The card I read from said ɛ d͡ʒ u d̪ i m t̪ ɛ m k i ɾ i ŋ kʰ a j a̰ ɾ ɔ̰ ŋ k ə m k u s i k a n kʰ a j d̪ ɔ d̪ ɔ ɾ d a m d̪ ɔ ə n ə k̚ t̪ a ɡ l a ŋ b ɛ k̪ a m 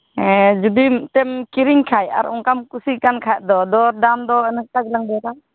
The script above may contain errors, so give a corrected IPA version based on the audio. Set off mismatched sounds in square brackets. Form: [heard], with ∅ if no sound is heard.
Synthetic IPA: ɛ d͡ʒ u d̪ i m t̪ ɛ m k i ɾ i ŋ kʰ a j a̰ ɾ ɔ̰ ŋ k [a] m k u s i k a n kʰ a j d̪ ɔ d̪ ɔ ɾ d a m d̪ ɔ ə n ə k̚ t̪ a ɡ l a ŋ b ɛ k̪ a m